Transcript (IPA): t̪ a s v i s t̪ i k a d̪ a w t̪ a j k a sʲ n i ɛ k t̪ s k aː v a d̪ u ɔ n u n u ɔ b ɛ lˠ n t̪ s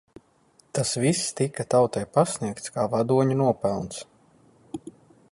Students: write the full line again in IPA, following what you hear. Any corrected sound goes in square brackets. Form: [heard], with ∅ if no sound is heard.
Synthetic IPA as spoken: t̪ a s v i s t̪ i k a [t̪] a w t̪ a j [p] a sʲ n i ɛ k t̪ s k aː v a d̪ u ɔ [ɲ] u n u ɔ [p] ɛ lˠ n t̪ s